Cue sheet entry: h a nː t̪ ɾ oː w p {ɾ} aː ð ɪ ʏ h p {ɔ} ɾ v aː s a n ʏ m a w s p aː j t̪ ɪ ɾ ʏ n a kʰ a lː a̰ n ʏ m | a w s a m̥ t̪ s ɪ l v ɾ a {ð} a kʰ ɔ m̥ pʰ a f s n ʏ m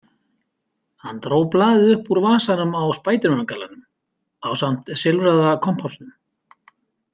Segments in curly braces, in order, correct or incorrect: incorrect, incorrect, correct

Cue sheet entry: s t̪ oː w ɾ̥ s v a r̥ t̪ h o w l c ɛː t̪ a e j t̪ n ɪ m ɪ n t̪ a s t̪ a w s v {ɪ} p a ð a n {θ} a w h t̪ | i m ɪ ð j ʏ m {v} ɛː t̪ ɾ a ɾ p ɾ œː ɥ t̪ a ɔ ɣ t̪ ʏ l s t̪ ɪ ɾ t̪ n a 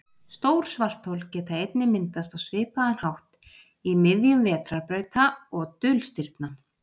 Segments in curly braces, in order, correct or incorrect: incorrect, incorrect, correct

